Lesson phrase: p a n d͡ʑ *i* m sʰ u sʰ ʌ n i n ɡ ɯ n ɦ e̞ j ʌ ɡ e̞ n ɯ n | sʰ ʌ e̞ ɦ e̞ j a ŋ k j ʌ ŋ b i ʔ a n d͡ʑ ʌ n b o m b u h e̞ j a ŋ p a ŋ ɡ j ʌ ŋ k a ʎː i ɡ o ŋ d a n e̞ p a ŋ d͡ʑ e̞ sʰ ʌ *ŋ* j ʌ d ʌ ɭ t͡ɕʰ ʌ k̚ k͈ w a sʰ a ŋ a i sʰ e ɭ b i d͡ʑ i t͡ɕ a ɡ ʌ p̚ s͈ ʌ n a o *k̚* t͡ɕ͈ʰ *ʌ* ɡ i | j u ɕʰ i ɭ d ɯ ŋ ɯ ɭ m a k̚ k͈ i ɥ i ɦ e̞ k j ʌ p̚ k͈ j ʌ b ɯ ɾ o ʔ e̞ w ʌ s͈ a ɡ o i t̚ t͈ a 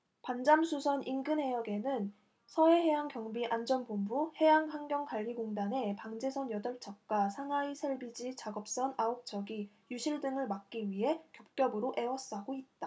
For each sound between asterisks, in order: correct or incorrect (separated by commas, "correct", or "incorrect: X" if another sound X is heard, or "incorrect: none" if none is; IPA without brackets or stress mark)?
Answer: incorrect: a, incorrect: n, correct, correct